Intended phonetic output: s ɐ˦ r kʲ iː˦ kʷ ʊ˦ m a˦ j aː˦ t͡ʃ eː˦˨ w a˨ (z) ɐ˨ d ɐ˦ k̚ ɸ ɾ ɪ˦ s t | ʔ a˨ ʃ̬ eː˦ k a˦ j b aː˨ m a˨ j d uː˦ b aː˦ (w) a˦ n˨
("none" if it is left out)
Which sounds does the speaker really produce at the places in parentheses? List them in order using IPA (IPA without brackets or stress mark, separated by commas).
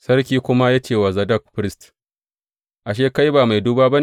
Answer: z, b